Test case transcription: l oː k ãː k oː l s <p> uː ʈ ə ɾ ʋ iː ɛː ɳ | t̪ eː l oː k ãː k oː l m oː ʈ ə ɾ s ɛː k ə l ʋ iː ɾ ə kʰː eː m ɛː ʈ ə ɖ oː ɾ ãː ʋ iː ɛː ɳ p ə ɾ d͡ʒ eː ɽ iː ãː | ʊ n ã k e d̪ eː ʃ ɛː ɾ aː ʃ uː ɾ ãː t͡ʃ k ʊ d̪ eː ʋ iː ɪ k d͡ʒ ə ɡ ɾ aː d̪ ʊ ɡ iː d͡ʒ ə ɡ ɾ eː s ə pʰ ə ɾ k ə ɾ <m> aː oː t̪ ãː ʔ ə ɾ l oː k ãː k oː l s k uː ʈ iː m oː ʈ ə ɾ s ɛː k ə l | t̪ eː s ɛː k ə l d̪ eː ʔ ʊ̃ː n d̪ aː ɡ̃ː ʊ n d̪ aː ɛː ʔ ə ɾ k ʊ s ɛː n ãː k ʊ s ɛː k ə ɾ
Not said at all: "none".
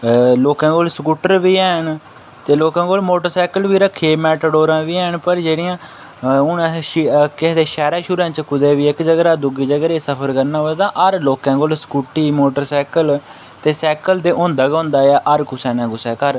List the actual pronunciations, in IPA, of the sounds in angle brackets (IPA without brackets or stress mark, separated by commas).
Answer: k, n